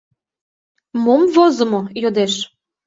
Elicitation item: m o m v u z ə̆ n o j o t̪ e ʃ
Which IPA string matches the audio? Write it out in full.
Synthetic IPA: m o m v o z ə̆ m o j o d̪ e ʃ

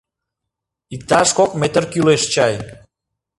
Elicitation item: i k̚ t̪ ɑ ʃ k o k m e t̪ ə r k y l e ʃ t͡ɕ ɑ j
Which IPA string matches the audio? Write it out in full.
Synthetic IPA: i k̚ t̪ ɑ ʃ k o k m e t̪ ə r k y l e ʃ t͡ɕ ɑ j

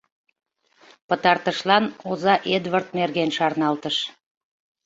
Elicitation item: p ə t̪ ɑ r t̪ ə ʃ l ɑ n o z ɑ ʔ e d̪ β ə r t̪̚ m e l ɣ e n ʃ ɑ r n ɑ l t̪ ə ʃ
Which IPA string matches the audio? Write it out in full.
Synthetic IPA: p ə t̪ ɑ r t̪ ə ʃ l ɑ n o z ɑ ʔ e d̪ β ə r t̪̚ m e r ɣ e n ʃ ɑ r n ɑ l t̪ ə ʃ

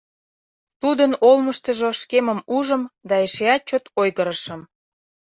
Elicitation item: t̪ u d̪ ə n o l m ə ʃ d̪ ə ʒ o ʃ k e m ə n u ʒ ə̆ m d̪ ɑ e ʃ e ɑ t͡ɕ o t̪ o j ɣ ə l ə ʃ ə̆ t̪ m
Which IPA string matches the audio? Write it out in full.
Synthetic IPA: t̪ u d̪ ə n o l m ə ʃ t̪ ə ʒ o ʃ k e m ə m u ʒ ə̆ m d̪ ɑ e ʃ e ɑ t͡ɕ o t̪ o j ɣ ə ɾ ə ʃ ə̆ m

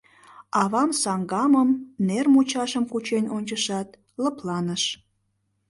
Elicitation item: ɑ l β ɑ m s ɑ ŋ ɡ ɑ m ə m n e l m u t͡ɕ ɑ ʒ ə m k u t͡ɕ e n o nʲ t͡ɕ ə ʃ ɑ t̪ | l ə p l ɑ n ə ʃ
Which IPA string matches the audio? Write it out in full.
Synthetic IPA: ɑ β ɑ m s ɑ ŋ ɡ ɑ m ə m n e r m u t͡ɕ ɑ ʃ ə m k u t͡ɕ e n o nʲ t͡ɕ ə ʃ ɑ t̪ | l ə p l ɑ n ə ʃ

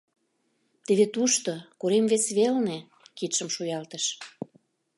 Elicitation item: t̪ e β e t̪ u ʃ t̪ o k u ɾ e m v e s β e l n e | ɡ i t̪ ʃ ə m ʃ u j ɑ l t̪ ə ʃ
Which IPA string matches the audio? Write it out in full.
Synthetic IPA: t̪ e β e t̪ u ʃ t̪ o k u ɾ e m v e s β e l n e | k i t̪ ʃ ə m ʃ u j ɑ l t̪ ə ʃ

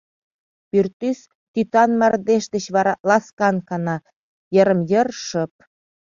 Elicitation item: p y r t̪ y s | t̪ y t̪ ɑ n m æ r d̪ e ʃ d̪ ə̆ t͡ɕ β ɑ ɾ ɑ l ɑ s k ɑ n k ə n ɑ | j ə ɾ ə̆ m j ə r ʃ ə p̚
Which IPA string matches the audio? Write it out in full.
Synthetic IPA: p y r t̪ y s | t̪ y t̪ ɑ n m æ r d̪ e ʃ d̪ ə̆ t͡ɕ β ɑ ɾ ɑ l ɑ s k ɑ n k ɑ n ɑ | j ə ɾ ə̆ m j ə r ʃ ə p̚

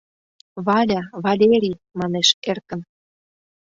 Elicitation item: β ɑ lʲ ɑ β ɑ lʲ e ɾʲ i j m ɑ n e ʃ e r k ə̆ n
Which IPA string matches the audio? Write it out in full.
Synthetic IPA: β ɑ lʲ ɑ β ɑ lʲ e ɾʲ i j m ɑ n e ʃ e r k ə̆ n

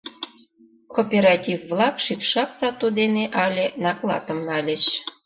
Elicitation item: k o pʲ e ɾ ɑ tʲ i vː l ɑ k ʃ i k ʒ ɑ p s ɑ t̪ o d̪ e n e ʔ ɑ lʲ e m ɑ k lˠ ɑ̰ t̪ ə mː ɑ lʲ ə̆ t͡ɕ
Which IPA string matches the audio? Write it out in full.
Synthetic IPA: k o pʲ e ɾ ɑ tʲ i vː l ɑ k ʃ i k ʃ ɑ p s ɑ t̪ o d̪ e n e ʔ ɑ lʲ e n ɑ k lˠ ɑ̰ t̪ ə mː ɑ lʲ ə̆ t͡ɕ

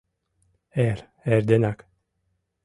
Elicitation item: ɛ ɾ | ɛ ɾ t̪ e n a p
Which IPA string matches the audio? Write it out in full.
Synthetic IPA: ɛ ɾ | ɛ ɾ d̪ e n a k

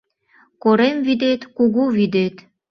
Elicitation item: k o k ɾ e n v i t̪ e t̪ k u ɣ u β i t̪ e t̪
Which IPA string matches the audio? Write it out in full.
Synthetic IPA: k o ɾ e m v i d̪ e t̪ k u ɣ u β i d̪ e t̪

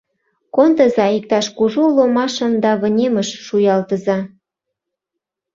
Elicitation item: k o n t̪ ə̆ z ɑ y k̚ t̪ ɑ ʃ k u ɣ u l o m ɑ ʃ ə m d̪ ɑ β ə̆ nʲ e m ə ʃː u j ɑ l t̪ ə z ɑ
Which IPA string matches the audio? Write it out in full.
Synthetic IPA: k o n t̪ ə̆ z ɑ i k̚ t̪ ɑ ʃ k u ʒ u l o m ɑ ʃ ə m d̪ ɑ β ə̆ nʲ e m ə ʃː u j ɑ l t̪ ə z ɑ

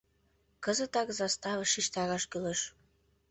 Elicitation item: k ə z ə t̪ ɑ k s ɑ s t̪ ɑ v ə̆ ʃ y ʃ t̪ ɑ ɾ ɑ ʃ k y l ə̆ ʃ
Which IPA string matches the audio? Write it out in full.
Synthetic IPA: k ə z ə t̪ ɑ k z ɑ s t̪ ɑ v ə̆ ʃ i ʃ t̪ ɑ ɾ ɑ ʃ k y l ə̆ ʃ

